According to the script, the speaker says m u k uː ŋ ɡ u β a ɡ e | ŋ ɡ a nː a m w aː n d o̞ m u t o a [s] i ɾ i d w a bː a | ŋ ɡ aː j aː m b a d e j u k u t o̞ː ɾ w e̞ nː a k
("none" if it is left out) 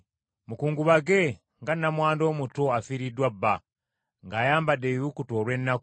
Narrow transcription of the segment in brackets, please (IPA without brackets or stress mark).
f